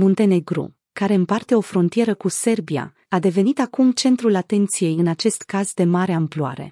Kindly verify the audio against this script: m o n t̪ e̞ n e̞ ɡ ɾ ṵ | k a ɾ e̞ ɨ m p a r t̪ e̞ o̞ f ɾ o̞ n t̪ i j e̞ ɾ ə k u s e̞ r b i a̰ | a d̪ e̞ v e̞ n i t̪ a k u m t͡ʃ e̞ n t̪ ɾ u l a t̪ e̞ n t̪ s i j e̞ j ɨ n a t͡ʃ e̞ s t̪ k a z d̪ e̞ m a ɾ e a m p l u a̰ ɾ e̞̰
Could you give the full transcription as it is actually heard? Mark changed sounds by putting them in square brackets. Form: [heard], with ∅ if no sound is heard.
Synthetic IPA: m o n t̪ e̞ n e̞ ɡ ɾ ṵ | k a ɾ e̞ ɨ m p a r t̪ e̞ o̞ f ɾ o̞ n t̪ i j e̞ ɾ ə k u s e̞ r b i a̰ | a d̪ e̞ v e̞ n i t̪ a k u m t͡ʃ e̞ n t̪ ɾ u l a t̪ e̞ n t̪ s i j e̞ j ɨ n a t͡ʃ e̞ s t̪ k a z d̪ e̞ m a ɾ e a m p l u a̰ ɾ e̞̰